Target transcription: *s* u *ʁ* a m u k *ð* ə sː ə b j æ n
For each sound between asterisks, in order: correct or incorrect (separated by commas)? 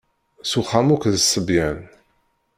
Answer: correct, incorrect, correct